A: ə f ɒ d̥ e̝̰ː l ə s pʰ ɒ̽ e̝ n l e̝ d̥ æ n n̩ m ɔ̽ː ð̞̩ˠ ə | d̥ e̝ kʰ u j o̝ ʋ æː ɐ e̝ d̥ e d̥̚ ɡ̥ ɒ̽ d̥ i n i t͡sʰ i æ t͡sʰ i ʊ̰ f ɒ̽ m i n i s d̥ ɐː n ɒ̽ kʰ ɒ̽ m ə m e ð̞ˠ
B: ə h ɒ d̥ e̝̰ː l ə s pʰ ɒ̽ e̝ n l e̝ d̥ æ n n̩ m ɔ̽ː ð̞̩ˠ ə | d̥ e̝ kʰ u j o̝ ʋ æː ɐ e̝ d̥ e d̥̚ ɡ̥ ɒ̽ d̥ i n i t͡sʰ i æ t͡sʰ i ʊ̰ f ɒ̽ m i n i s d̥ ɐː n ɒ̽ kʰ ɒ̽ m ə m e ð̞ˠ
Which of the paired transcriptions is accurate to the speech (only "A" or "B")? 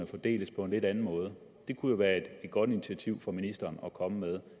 A